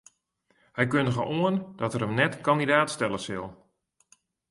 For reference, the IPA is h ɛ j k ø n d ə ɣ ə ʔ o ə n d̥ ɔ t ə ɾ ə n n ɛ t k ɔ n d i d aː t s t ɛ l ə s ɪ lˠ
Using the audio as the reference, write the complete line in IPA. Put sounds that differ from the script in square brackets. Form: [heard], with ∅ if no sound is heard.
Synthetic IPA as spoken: h ɛ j k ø n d ə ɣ ə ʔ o ə n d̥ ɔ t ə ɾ ə [m] n ɛ t k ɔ n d i d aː t s t ɛ l ə s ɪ lˠ